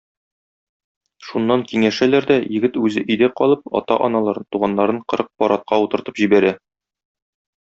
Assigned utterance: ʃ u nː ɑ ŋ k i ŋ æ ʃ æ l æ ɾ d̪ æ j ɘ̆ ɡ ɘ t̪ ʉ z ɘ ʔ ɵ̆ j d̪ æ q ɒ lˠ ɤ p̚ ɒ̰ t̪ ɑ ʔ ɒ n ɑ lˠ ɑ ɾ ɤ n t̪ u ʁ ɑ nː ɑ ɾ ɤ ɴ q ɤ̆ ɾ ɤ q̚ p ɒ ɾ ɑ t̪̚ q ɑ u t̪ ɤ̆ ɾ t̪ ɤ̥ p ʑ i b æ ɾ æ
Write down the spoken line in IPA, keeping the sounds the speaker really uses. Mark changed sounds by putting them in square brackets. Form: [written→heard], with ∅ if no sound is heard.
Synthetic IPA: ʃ u nː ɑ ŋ k i ŋ æ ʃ æ l æ ɾ d̪ æ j ɘ̆ ɡ ɘ t̪ ʉ z ɘ ʔ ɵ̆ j d̪ æ q ɒ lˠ ɤ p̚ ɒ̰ t̪ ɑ ʔ ɒ n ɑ lˠ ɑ ɾ ɤ n t̪ u ʁ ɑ nː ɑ ɾ ɤ ɴ q ɤ̆ ɾ ɤ q̚ p ɒ ɾ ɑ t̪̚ q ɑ u t̪ ɤ̆ ɾ t̪ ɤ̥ p ʑ i b æ ɾ æ